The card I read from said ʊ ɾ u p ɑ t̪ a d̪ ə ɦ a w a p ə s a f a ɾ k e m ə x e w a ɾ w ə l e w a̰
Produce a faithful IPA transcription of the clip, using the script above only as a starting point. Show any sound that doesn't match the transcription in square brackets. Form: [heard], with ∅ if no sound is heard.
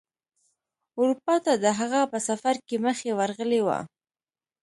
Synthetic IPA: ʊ ɾ u p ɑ t̪ a d̪ ə ɦ a [ɣ] a p ə s a f a ɾ k e m ə x e w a ɾ [ɣ] ə l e w a̰